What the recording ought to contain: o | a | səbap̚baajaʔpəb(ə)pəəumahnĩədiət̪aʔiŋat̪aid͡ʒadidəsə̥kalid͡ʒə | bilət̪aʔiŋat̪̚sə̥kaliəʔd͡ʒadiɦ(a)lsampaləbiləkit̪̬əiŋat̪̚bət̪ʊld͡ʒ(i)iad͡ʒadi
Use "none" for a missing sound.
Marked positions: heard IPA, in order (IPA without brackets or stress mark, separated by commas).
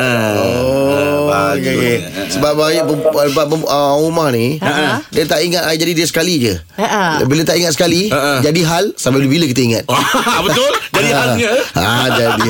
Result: a, a, a